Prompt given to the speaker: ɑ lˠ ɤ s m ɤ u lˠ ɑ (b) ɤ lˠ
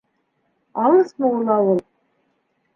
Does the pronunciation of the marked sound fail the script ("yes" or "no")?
yes